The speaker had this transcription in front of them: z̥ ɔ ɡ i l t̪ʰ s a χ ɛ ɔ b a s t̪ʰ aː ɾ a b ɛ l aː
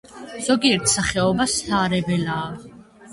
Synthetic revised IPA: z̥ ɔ ɡ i ɾ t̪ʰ s a χ ɛ ɔ b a s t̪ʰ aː ɾ ɛ b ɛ l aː